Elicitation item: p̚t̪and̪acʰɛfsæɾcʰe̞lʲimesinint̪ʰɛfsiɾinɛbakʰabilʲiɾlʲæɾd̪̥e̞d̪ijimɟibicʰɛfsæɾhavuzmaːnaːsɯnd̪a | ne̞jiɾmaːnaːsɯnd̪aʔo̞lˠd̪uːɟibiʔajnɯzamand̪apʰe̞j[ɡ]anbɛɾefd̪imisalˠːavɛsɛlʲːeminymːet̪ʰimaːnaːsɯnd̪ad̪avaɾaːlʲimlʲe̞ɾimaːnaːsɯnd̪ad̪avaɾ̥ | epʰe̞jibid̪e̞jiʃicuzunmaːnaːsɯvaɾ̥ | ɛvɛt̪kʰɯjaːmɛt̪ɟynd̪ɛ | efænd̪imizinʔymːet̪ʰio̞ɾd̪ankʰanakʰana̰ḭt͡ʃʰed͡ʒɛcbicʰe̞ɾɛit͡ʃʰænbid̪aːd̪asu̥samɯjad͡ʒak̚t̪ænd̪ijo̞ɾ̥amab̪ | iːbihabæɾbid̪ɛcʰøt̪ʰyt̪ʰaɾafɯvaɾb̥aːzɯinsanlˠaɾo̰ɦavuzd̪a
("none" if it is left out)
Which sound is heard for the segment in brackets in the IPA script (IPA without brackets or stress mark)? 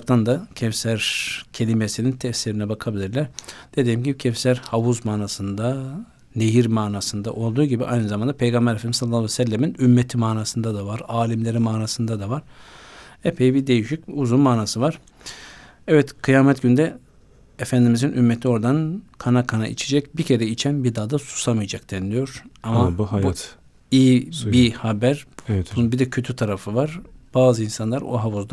ɡ